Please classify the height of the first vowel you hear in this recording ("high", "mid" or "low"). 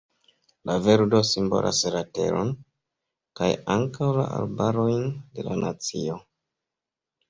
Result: low